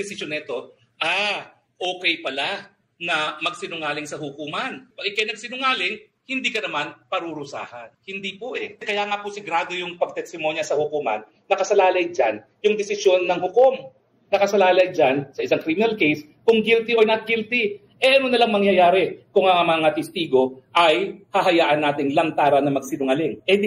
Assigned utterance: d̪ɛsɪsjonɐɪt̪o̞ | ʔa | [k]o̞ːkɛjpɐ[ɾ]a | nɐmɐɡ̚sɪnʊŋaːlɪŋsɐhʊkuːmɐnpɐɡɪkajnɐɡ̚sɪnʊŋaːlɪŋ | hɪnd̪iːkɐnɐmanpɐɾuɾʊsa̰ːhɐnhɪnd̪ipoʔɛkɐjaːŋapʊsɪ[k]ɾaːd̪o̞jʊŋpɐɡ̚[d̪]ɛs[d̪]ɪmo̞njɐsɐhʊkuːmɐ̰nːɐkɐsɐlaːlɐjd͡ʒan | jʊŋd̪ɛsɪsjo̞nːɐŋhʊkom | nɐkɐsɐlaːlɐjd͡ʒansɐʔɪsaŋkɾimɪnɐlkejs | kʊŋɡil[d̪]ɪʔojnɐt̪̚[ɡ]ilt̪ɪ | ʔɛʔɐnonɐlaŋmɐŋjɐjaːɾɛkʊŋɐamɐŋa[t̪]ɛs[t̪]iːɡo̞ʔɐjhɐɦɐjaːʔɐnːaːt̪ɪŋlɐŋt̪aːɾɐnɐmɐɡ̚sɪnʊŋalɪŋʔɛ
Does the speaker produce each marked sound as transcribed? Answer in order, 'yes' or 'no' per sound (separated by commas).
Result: no, no, no, no, no, no, yes, yes, yes